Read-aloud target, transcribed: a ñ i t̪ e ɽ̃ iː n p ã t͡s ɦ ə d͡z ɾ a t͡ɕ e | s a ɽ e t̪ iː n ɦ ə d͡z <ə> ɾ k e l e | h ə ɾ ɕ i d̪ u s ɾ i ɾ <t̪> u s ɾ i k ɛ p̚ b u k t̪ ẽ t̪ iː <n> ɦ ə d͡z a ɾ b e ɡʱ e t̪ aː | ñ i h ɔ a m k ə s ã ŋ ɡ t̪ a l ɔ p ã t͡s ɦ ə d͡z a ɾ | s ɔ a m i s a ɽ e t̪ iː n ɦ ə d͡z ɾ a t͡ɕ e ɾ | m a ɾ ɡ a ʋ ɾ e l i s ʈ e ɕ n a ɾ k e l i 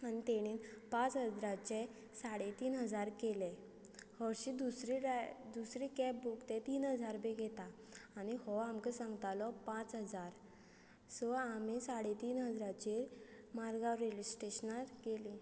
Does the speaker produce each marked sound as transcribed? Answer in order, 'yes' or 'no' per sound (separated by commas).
no, no, yes